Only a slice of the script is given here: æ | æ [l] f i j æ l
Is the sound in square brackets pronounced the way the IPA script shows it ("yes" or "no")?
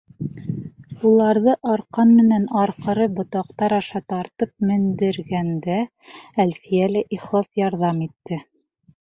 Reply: yes